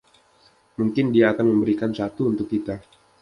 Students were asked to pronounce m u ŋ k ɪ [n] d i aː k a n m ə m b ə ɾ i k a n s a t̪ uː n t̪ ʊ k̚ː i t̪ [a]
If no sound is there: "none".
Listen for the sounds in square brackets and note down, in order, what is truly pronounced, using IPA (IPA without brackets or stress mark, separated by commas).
n, a